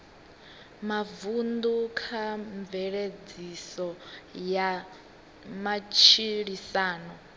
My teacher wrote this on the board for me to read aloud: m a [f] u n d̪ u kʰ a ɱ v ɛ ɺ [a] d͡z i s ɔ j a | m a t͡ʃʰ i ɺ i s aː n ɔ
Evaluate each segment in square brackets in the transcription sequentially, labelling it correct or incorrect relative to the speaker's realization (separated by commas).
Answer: incorrect, incorrect